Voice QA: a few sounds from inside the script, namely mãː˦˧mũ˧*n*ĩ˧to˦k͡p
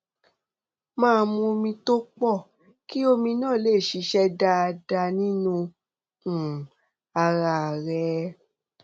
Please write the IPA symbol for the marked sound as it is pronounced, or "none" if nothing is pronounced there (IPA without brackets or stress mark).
m